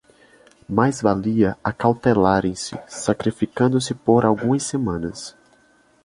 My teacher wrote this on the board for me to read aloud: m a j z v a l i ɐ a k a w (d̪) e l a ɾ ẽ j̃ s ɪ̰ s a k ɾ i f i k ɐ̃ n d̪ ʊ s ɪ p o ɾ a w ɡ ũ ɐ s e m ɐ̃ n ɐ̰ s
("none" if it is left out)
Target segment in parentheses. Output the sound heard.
t̪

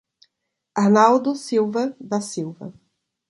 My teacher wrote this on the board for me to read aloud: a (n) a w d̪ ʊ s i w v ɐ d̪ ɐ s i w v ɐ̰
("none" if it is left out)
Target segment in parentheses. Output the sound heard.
n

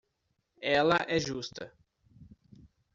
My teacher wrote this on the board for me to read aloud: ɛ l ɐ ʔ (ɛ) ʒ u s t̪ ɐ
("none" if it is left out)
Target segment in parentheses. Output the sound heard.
ɛ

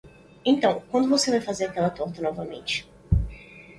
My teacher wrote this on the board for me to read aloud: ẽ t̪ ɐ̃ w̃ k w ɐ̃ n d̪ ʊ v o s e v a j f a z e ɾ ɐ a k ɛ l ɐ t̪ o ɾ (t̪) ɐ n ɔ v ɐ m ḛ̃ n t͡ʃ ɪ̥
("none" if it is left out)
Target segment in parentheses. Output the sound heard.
t̪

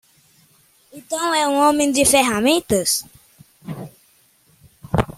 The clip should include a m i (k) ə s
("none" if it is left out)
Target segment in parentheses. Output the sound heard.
t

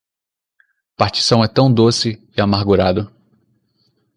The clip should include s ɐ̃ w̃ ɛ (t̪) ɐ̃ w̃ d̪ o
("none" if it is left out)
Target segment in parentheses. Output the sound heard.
t̪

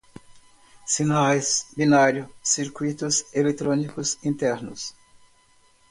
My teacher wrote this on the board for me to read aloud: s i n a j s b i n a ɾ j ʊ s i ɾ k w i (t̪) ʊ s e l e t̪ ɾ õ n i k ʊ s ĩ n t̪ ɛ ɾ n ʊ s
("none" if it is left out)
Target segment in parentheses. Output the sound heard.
t̪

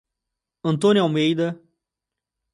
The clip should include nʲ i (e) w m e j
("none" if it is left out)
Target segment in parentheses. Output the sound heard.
a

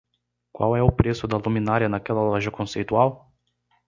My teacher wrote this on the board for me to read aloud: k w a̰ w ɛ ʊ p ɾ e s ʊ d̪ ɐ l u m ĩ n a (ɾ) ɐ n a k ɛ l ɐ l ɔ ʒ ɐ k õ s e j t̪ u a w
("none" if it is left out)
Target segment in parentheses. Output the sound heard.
ɾ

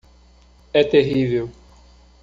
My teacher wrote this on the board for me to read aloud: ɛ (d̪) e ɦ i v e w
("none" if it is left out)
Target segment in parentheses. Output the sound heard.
t̪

